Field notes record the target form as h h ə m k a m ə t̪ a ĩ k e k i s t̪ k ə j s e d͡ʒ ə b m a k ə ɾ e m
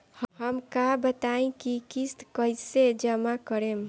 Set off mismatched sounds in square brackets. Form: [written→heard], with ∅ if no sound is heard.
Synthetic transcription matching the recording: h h ə m k a [m→b] ə t̪ a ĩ k [e→i] k i s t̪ k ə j s e d͡ʒ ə [b→∅] m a k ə ɾ e m